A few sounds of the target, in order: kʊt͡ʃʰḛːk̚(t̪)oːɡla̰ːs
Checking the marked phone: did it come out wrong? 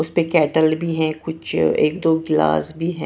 yes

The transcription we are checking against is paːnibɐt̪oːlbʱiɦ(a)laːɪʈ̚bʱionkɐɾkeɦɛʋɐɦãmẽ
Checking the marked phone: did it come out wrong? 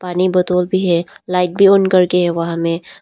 yes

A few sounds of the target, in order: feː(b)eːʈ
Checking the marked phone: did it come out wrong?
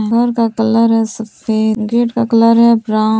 yes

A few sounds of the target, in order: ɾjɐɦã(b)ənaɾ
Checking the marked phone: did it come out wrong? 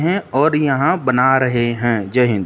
no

